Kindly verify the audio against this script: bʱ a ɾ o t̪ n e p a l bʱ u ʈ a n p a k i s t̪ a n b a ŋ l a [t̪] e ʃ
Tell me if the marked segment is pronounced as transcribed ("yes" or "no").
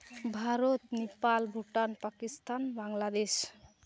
no